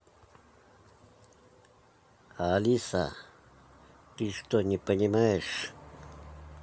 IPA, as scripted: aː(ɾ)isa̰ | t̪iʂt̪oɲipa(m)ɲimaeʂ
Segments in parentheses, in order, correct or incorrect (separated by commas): incorrect, incorrect